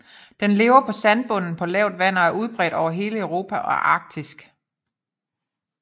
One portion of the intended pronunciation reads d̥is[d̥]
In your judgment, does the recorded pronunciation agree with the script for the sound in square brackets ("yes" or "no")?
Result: no